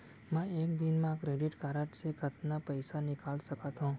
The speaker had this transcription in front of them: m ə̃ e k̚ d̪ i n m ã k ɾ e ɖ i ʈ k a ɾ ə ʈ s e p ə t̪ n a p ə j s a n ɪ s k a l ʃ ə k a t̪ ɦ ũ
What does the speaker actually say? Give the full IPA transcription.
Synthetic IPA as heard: m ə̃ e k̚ d̪ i n m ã k ɾ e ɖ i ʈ k a ɾ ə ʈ s e k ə t̪ n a p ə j s a n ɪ k a l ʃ ə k a t̪ ɦ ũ